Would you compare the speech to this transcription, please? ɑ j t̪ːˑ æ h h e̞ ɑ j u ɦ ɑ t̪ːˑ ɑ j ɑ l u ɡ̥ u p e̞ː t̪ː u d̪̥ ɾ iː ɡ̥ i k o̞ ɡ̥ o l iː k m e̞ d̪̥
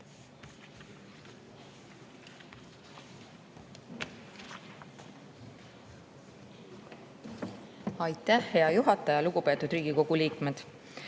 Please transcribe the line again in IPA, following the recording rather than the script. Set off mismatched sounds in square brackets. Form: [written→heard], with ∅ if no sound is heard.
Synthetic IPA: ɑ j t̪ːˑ æ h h e̞ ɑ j u ɦ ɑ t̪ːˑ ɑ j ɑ l u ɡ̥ u p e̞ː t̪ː u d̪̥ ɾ iː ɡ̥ i k o̞ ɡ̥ [o→u] l iː k m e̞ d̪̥

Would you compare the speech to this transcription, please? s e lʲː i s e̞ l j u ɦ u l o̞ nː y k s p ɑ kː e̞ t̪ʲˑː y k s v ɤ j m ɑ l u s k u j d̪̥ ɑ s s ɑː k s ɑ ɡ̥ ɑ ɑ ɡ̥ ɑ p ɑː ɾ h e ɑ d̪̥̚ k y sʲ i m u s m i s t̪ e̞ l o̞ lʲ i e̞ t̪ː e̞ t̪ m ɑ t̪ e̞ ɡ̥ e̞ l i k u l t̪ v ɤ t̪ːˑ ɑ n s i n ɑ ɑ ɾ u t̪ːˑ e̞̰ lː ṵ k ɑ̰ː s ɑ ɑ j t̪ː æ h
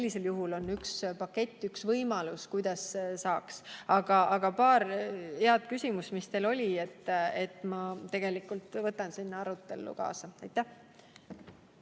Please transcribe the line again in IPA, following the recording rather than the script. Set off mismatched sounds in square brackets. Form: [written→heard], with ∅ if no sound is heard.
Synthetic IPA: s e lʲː i s e̞ l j u ɦ u l o̞ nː y k s p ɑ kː e̞ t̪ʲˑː y k s v ɤ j m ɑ l u s k u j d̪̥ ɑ s s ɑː k s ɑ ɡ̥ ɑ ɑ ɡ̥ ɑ p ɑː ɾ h e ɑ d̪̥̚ k y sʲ i m u s m i s t̪ e̞ l o̞ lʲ i e̞ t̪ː e̞ t̪ m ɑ t̪ e̞ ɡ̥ e̞ l i k u l t̪ v ɤ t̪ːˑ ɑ n s i [n→nː] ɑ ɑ ɾ u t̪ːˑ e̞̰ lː ṵ k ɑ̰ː s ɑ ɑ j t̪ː æ h

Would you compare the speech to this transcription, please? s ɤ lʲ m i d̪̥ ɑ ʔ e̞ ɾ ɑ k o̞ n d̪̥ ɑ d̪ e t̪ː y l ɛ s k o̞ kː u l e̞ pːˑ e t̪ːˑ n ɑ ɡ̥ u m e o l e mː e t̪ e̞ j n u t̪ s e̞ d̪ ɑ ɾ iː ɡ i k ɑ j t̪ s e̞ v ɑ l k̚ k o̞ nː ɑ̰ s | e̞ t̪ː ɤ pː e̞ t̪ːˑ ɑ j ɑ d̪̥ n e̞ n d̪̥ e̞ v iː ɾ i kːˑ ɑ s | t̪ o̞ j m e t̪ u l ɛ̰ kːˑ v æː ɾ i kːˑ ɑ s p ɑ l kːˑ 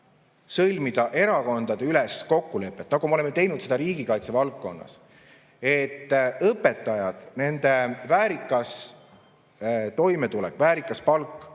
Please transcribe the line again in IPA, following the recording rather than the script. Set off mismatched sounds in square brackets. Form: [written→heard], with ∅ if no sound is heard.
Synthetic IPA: s ɤ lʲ m i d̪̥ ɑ ʔ e̞ ɾ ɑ k o̞ n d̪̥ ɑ d̪ e [t̪ː→∅] y l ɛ s k o̞ kː u l e̞ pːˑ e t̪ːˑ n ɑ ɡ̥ u m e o l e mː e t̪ e̞ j n u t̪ s e̞ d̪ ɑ ɾ iː ɡ i k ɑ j t̪ s e̞ v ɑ l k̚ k o̞ nː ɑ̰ s | e̞ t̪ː ɤ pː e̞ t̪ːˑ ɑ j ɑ d̪̥ n e̞ n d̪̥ e̞ v [iː→æː] ɾ i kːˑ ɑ s | t̪ o̞ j m e t̪ u l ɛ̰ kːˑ v æː ɾ i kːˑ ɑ s p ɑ l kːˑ

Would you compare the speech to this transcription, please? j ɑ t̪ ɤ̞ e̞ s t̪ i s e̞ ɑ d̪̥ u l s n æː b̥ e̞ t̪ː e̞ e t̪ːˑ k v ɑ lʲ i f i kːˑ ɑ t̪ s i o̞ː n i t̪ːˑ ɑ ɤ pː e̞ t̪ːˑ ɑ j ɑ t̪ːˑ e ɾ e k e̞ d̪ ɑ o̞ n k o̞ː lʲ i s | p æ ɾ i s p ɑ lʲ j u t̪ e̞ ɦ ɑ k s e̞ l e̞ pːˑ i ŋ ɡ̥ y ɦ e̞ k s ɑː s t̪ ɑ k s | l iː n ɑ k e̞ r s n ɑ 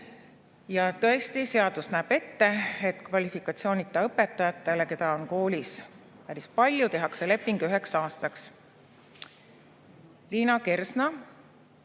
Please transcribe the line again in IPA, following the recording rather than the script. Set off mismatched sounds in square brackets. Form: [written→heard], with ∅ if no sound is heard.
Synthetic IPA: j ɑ t̪ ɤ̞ e̞ s t̪ i s e̞ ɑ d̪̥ u [l→∅] s n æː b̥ e̞ t̪ː e̞ e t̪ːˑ k v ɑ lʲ i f i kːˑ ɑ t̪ s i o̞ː n i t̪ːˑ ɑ ɤ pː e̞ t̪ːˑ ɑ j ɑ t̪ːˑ e [ɾ→l] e k e̞ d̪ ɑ o̞ n k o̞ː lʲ i s | p æ ɾ i s p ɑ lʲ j u t̪ e̞ ɦ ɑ k s e̞ l e̞ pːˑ i ŋ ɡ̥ y ɦ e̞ k s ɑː s t̪ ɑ k s | l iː n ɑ k e̞ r s n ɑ

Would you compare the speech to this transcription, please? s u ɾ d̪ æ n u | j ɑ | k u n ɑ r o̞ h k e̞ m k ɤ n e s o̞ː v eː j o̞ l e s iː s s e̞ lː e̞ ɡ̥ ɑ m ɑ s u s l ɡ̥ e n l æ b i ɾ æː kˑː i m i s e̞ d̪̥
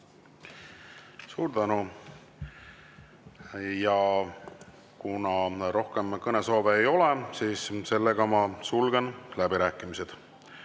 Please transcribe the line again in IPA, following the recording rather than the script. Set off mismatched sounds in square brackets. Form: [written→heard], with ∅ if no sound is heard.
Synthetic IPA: s [u→uː] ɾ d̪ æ n u | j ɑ | k u n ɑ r o̞ h k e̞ m k ɤ n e s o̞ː v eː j o̞ l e s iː s s e̞ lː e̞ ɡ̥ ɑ m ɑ s u [s→∅] l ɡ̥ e n l æ b i ɾ æː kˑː i m i s e̞ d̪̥

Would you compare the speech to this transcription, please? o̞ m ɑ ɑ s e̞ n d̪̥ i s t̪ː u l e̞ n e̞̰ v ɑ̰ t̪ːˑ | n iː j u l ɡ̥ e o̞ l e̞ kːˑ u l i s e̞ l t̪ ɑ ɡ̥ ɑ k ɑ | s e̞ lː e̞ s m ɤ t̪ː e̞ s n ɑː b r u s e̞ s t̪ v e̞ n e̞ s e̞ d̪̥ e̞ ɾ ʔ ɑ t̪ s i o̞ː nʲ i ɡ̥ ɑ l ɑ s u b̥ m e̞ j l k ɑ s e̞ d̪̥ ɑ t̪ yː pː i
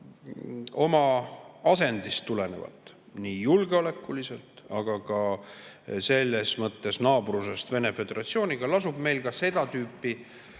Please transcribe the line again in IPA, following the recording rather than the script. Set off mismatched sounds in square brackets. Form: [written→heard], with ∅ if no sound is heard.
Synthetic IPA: o̞ m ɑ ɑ s e̞ n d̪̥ i s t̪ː u l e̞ n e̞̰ v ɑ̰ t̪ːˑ | n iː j u l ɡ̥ e o̞ l e̞ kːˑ u l i s e̞ l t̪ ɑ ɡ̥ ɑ k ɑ | s e̞ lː e̞ s m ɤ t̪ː e̞ s n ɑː b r u s e̞ s t̪ v e̞ n e̞ [s→f] e̞ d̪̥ e̞ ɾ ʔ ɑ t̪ s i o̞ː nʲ i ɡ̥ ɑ l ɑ s u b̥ m e̞ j l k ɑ s e̞ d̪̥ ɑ t̪ yː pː i

